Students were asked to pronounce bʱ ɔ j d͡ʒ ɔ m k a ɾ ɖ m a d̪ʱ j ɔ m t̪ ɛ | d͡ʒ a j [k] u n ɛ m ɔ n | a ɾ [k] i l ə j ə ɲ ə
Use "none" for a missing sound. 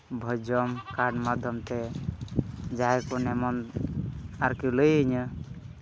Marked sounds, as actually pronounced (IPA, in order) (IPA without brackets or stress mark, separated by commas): k, k